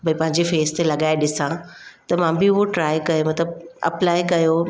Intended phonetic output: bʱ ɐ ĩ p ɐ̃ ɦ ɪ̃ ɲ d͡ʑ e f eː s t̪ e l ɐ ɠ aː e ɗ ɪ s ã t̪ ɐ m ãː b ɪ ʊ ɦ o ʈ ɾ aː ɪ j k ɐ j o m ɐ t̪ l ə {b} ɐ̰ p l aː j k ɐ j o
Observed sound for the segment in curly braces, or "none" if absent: b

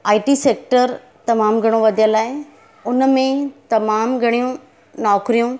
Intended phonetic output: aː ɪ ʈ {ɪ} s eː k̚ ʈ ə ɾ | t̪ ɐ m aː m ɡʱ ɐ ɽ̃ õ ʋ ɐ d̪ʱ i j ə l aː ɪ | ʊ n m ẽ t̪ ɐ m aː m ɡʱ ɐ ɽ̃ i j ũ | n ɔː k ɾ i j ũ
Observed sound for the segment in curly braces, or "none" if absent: i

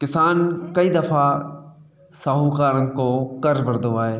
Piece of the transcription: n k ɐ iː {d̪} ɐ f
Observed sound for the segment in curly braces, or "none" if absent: d̪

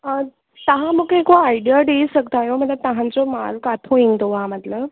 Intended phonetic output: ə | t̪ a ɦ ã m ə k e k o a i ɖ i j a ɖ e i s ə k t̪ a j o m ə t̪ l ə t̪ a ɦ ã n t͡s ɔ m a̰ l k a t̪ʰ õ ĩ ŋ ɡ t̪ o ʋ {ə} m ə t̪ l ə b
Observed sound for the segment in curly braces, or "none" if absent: a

